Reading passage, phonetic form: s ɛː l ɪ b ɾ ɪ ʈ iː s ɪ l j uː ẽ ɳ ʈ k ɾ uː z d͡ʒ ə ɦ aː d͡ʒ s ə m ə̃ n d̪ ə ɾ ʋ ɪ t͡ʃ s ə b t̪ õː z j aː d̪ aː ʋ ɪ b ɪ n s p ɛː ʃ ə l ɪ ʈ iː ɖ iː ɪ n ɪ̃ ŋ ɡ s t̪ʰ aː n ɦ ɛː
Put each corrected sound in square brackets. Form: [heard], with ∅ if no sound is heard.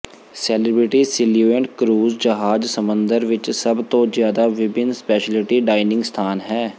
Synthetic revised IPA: s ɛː l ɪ b ɾ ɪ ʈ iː s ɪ l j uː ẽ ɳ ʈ k ɾ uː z d͡ʒ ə ɦ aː d͡ʒ s ə m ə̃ n d̪ ə ɾ ʋ ɪ t͡ʃ s ə b t̪ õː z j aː d̪ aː ʋ ɪ b ɪ n s p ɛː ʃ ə l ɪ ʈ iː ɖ [aː] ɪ n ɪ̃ ŋ ɡ s t̪ʰ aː n ɦ ɛː